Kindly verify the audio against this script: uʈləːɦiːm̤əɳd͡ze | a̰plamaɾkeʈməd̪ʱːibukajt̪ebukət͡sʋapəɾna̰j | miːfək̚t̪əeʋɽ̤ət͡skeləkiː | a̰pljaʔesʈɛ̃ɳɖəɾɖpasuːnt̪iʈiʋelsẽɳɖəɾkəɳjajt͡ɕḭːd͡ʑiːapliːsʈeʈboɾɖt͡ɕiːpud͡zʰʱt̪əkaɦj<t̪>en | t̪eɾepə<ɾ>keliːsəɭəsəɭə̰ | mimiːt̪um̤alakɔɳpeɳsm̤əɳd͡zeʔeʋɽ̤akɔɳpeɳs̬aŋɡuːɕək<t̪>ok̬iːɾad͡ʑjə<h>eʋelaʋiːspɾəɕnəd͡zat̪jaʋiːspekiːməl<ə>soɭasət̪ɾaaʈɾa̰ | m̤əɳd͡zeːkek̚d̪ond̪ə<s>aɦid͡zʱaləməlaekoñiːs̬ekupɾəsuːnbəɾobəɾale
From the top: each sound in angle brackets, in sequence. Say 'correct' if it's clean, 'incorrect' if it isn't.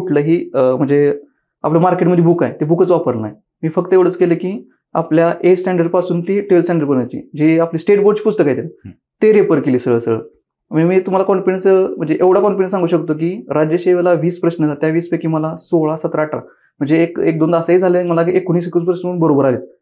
correct, correct, correct, incorrect: ɕ, incorrect: a, correct

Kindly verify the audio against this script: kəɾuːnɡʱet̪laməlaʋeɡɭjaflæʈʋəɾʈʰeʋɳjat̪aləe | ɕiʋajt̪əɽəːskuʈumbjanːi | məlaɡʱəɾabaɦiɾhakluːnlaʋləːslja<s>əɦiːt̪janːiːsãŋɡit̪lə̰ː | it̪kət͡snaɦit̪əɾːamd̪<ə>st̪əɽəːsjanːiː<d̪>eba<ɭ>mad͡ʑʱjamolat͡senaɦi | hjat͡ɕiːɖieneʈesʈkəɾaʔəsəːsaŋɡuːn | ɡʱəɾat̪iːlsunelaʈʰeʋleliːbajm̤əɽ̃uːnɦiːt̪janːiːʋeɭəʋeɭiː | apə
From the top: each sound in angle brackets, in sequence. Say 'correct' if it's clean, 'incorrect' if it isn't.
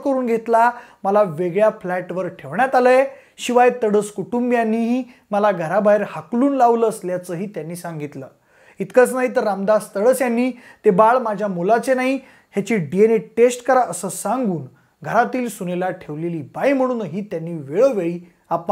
incorrect: t͡s, incorrect: a, incorrect: t̪, correct

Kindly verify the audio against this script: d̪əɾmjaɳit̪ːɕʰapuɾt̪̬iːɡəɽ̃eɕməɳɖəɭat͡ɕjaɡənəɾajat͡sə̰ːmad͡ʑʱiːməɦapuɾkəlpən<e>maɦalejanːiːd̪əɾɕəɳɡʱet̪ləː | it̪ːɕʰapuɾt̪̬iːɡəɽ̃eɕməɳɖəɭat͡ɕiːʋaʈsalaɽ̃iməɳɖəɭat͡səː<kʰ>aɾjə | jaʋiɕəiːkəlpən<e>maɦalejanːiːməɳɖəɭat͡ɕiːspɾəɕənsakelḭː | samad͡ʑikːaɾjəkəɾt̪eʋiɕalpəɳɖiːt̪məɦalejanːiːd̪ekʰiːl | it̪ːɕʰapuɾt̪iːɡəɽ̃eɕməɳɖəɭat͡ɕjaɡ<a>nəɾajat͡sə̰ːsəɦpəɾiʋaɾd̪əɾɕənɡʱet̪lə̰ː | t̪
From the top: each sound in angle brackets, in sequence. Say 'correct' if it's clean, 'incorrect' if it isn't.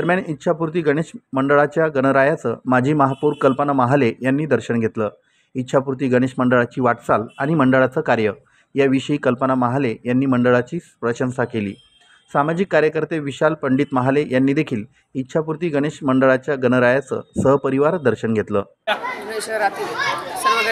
incorrect: a, incorrect: k, incorrect: a, incorrect: ə

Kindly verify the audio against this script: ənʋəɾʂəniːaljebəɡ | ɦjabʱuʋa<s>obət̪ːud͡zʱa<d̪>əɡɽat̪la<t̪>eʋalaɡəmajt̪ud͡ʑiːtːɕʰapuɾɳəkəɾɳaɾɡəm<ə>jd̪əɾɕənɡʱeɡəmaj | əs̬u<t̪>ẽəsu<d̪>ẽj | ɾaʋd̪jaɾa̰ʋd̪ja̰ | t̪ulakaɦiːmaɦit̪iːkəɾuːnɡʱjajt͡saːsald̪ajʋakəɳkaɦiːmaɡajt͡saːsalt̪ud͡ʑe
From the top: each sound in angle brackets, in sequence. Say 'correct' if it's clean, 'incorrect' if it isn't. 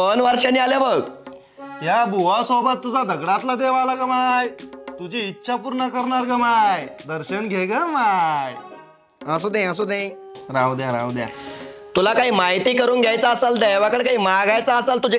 correct, correct, incorrect: d̪, incorrect: a, incorrect: d̪, correct

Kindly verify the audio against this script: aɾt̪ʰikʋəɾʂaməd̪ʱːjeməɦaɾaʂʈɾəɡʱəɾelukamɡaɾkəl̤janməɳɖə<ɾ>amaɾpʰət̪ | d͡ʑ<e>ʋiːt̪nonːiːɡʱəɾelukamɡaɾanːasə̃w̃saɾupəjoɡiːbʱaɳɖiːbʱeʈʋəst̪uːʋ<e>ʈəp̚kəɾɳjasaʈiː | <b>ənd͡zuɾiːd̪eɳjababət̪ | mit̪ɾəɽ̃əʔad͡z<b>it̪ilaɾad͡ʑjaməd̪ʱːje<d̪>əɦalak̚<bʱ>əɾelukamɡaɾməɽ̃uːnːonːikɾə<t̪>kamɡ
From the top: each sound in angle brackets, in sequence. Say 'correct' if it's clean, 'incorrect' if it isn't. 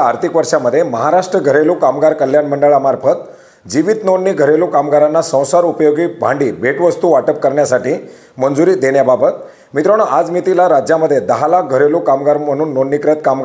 incorrect: ɭ, incorrect: i, incorrect: a, incorrect: m, incorrect: m, correct, incorrect: ɡʱ, correct

